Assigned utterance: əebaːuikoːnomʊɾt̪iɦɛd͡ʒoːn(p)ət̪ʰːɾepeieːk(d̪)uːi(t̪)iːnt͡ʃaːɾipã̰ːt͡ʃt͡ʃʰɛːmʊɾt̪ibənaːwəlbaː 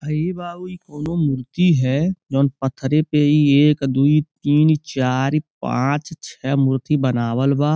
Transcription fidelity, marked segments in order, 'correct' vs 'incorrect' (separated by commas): correct, correct, correct